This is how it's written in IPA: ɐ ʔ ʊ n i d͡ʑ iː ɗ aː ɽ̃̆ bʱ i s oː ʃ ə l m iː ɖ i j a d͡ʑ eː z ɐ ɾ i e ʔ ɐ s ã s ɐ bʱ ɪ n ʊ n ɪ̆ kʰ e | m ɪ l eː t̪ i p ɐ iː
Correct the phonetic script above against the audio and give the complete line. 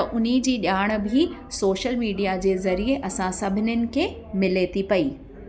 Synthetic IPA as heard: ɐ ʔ ʊ n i d͡ʑ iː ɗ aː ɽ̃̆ bʱ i s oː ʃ ə l m iː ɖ i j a d͡ʑ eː z ɐ ɾ i e ʔ ɐ s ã s ɐ bʱ ɪ n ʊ n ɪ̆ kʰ e | m ɪ l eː t̪ i p ɐ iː